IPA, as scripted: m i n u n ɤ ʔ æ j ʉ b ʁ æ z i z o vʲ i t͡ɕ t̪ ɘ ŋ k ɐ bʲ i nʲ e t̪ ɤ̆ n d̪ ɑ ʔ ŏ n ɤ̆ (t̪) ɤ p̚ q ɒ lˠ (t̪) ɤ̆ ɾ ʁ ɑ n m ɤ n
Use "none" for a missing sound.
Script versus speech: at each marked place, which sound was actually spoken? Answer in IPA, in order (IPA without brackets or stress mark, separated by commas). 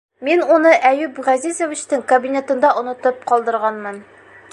t̪, d̪